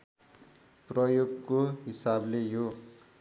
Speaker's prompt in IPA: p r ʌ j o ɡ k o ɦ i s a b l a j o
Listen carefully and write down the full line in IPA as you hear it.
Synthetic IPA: p r ʌ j o ɡ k o ɦ i s a b l e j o